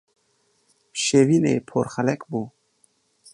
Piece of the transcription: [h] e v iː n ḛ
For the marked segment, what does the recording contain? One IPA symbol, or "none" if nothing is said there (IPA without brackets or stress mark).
ʃ